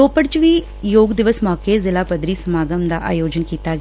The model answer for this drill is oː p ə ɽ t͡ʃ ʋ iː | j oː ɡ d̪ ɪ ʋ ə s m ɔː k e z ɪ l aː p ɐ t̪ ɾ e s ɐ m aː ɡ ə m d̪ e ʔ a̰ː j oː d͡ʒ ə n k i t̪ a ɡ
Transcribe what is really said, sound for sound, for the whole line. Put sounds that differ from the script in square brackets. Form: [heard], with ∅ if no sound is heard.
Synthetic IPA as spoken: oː p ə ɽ t͡ʃ ʋ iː | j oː ɡ d̪ ɪ ʋ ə s m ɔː k e z ɪ l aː p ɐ [d̪] ɾ [i] s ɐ m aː ɡ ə m d̪ [a] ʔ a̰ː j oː d͡ʒ ə n k [iː] t̪ a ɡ